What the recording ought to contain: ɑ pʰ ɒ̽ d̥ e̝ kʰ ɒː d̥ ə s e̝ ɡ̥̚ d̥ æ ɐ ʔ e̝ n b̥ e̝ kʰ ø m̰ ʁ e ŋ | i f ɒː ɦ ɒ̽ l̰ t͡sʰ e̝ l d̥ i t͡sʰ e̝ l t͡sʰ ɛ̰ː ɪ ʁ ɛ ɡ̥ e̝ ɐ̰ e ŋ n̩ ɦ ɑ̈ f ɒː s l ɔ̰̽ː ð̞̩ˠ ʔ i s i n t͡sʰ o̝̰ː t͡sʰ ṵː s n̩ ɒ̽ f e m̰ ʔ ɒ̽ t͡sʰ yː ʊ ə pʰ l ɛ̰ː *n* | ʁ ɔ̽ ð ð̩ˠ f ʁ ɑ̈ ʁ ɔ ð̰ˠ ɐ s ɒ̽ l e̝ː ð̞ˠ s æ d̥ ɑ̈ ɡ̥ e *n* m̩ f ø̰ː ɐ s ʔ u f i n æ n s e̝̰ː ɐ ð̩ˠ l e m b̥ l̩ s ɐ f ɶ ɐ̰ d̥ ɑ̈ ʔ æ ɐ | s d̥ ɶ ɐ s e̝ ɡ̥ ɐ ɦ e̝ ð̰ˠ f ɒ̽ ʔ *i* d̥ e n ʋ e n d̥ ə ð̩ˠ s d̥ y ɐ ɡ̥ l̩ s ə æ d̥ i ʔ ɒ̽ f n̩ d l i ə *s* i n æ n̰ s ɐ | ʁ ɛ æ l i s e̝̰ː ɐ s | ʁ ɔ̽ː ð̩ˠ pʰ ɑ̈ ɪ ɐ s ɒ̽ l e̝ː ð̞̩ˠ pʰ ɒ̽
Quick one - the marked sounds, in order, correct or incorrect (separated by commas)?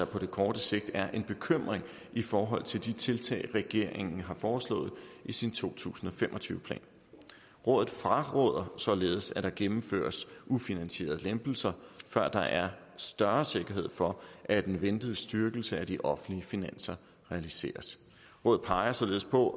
correct, incorrect, incorrect, incorrect